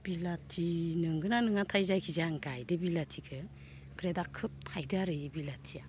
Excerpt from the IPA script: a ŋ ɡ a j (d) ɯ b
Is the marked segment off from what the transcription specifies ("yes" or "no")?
no